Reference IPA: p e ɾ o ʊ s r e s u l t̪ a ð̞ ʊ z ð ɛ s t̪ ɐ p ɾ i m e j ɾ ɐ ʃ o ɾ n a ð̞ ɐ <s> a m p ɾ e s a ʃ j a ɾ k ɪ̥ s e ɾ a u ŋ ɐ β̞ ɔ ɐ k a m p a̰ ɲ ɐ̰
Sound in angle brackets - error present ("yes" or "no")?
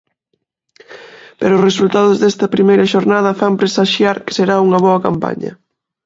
yes